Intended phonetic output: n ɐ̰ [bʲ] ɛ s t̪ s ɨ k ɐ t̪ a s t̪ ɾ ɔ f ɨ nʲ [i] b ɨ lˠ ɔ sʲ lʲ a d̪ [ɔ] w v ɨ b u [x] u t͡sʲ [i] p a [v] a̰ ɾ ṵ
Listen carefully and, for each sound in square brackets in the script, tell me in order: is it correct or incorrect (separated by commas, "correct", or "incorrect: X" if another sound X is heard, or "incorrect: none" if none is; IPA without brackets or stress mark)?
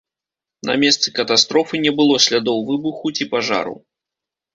incorrect: mʲ, incorrect: ɛ, correct, correct, correct, incorrect: ʐ